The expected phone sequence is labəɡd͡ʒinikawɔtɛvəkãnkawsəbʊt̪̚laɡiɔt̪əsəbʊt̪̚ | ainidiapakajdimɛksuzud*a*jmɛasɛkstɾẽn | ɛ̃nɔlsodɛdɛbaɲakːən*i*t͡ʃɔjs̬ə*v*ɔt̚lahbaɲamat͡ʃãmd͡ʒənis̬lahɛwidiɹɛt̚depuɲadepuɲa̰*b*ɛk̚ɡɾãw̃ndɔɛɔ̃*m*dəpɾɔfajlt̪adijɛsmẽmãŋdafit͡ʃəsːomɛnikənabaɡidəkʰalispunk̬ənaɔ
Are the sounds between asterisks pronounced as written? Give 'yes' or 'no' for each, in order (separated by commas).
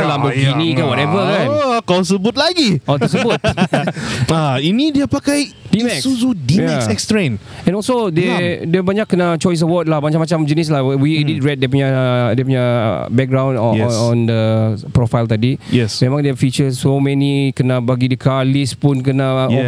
no, no, no, yes, no